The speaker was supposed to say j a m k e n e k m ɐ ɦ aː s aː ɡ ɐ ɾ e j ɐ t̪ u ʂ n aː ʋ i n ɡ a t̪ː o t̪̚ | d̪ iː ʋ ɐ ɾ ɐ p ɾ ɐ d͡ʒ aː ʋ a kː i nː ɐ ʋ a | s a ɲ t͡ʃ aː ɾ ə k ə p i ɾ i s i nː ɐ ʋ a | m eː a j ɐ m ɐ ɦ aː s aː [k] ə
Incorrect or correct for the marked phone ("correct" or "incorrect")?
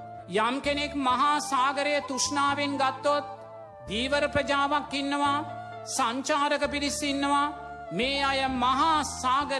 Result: incorrect